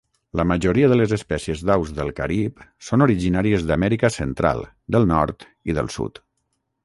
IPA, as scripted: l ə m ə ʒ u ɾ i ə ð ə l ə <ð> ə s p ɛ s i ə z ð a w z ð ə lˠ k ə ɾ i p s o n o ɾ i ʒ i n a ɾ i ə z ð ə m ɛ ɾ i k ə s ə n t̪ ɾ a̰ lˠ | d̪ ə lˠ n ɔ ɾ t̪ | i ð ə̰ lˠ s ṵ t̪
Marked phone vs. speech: incorrect: z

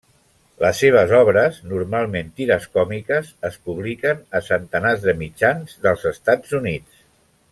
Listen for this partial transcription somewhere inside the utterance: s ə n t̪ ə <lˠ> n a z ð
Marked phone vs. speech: incorrect: none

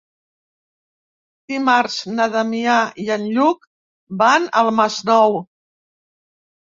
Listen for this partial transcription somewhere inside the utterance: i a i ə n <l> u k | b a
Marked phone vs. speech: incorrect: ʎ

